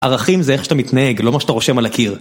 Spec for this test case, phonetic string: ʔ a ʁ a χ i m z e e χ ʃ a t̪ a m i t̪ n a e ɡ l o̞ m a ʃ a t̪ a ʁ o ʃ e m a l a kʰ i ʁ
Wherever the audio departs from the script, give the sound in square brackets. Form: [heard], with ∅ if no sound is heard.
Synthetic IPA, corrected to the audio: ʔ a ʁ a χ i m z e e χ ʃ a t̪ a m i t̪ n a e ɡ l o̞ m a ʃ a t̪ a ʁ o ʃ e m a l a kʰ i ʁ